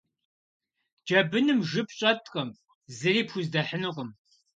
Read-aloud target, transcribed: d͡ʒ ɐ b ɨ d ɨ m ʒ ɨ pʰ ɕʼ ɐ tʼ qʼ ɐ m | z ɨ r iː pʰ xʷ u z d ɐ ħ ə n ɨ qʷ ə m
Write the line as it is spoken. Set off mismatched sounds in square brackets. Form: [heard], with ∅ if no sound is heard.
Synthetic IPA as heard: d͡ʒ ɐ b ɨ [n] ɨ m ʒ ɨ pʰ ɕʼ ɐ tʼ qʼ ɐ m | z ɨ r iː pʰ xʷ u z d ɐ ħ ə n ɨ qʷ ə m